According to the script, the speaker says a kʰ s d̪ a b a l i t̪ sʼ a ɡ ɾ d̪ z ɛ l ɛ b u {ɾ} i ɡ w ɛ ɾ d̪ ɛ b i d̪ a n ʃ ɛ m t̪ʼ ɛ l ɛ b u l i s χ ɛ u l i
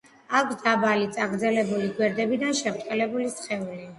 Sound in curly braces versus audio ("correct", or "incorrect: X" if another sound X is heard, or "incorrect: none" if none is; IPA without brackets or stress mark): incorrect: l